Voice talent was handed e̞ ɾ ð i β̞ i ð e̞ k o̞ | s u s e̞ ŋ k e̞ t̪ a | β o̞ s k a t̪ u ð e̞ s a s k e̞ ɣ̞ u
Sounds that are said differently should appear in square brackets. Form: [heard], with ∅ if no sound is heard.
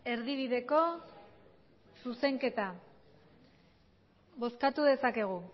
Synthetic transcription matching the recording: e̞ ɾ ð i β̞ i ð e̞ k o̞ | s u s e̞ ŋ k e̞ t̪ a | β o̞ s k a t̪ u ð e̞ s a [∅] k e̞ ɣ̞ u